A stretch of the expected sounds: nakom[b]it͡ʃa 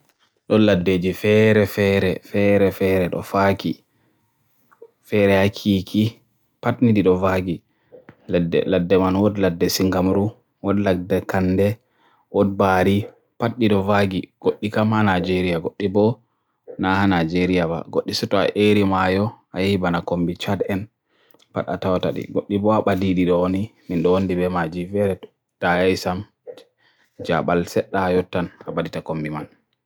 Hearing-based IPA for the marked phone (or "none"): b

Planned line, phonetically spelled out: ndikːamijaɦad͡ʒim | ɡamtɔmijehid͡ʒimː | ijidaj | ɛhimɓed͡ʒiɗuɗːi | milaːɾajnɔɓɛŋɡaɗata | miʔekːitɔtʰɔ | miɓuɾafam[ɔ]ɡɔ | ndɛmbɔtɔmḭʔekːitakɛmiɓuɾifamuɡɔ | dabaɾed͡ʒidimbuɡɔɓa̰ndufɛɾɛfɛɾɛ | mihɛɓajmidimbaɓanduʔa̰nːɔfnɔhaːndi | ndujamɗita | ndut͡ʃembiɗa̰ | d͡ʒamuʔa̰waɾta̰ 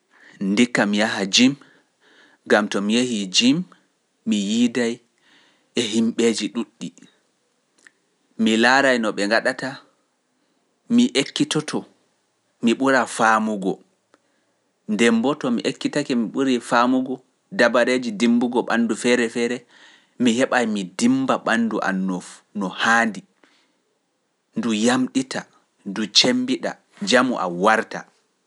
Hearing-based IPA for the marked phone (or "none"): u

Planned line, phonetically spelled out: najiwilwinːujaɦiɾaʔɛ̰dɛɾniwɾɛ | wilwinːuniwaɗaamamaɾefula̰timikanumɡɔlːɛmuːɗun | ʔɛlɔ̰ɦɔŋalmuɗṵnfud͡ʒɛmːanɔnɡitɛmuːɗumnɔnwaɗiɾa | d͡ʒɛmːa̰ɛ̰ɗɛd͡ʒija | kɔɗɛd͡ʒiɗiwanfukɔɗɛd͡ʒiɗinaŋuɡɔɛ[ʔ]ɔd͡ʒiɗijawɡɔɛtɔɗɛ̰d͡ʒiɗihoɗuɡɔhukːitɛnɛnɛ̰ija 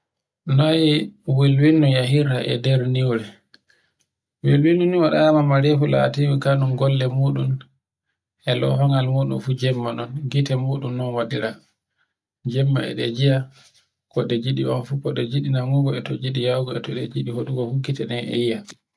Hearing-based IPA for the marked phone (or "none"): t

